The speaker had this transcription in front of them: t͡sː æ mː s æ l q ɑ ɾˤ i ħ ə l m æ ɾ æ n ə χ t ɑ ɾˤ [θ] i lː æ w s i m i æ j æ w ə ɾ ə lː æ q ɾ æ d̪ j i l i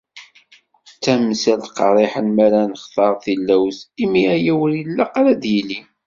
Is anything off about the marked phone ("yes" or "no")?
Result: no